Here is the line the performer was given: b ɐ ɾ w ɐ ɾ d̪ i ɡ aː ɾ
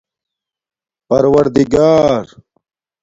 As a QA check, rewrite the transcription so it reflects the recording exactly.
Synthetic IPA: p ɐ ɾ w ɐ ɾ d̪ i ɡ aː ɾ